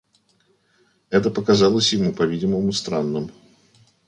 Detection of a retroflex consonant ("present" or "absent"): absent